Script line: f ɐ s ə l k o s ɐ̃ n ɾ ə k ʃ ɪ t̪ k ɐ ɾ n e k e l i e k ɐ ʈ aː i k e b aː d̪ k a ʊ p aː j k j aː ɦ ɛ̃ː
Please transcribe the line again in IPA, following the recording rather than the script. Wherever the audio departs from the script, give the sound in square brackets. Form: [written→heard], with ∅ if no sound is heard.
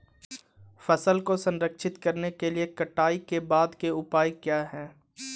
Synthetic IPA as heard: f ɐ s ə l k o s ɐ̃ n ɾ ə k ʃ ɪ t̪ k ɐ ɾ n e k e l i e k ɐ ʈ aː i k e b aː d̪ k [a→e] ʊ p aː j k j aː ɦ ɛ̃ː